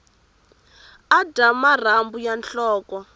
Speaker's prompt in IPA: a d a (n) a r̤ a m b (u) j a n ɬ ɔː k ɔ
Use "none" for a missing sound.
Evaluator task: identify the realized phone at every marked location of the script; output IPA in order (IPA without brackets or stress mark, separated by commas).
m, u